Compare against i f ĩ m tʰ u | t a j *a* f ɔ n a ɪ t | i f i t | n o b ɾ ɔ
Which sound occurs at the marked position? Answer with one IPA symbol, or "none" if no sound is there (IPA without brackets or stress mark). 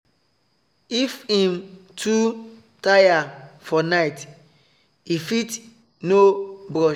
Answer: a